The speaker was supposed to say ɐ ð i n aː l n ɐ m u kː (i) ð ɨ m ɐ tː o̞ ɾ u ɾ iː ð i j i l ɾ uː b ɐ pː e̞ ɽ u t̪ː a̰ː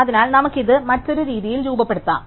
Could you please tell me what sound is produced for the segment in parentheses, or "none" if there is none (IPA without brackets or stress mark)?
i